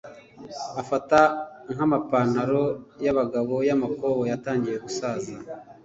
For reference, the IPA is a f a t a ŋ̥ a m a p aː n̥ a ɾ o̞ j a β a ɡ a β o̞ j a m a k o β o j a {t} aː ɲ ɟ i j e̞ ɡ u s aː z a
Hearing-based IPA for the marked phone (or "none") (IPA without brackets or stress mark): t